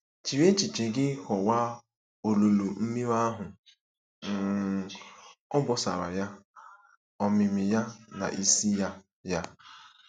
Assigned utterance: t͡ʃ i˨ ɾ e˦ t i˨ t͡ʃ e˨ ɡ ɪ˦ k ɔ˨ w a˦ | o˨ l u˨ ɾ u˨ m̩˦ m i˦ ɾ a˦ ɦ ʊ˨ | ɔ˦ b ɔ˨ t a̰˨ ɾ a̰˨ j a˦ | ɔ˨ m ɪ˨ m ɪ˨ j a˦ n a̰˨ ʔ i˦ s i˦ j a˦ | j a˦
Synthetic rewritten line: t͡ʃ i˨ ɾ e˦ t͡ʃ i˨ t͡ʃ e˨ ɡ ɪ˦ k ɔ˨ w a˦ | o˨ l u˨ l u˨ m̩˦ m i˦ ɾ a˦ ɦ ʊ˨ | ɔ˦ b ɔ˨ s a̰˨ ɾ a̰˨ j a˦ | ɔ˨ m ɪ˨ m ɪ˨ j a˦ n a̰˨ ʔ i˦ s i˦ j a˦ | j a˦